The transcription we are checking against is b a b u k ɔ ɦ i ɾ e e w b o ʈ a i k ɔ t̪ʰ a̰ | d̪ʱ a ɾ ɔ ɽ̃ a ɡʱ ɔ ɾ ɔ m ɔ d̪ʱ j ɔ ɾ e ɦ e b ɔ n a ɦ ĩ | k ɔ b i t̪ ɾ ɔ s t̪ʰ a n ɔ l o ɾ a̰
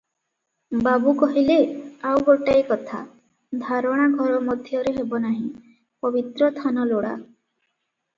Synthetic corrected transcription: b a b u k ɔ ɦ i l e a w ɡ o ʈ a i k ɔ t̪ʰ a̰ | d̪ʱ a ɾ ɔ ɽ̃ a ɡʱ ɔ ɾ ɔ m ɔ d̪ʱ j ɔ ɾ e ɦ e b ɔ n a ɦ ĩ | p ɔ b i t̪ ɾ ɔ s t̪ʰ a n ɔ l o ɽ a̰